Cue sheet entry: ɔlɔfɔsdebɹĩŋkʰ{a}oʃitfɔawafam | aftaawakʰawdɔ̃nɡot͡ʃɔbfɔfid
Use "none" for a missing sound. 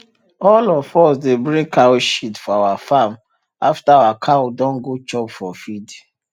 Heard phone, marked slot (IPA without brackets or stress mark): a